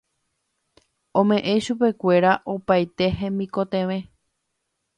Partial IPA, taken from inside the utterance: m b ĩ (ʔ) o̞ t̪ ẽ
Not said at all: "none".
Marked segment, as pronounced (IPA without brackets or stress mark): k